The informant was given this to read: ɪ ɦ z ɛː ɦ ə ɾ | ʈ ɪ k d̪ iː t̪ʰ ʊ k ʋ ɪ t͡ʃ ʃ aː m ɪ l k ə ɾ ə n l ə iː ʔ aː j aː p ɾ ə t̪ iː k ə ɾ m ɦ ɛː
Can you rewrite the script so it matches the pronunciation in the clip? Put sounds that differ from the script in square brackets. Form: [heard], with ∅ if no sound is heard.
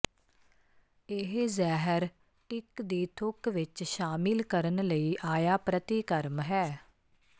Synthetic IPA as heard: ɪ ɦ z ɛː ɦ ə ɾ | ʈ ɪ k d̪ iː t̪ʰ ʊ k ʋ ɪ t͡ʃ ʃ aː m ɪ l k ə ɾ ə n l ə iː ʔ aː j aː p ɾ ə t̪ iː k ə ɾ m ɦ ɛː